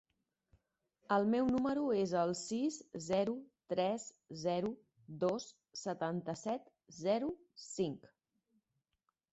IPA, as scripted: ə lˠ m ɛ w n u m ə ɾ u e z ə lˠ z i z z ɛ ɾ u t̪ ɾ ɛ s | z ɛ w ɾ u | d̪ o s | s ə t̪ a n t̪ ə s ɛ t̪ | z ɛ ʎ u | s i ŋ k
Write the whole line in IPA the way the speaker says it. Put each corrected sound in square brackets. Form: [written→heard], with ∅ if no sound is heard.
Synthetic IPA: ə lˠ m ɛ w n u m ə ɾ u e z ə lˠ [z→s] i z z ɛ ɾ u t̪ ɾ ɛ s | z ɛ [w→∅] ɾ u | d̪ o s | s ə t̪ a n t̪ ə s ɛ t̪ | z ɛ [ʎ→ɾ] u | s i ŋ k